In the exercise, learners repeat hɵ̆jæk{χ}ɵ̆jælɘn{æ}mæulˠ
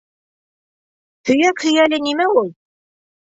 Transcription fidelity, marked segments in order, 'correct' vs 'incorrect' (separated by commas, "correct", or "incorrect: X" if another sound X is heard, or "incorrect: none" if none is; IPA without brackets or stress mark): incorrect: h, incorrect: i